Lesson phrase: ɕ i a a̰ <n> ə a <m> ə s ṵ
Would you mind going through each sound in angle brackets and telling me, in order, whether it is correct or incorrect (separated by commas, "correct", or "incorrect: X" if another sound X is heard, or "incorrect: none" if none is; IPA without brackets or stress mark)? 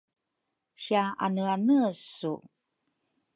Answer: correct, incorrect: n